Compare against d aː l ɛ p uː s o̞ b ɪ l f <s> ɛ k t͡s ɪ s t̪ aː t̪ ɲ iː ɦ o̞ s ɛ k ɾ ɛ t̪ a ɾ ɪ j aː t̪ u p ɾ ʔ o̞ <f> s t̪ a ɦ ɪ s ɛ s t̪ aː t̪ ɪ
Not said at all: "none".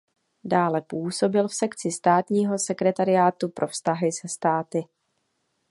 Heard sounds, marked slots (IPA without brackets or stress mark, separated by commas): s, f